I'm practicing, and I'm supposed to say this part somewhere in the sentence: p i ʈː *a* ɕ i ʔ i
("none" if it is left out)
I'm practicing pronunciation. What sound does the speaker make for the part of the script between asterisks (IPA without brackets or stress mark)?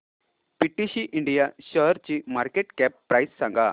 i